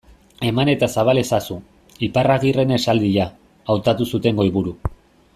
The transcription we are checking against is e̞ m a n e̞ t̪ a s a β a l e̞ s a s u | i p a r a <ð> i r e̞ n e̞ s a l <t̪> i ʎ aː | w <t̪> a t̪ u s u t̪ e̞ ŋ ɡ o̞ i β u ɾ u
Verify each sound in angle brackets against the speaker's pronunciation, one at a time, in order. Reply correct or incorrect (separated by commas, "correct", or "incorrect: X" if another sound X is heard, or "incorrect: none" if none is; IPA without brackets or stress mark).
incorrect: ɣ, incorrect: d̪, correct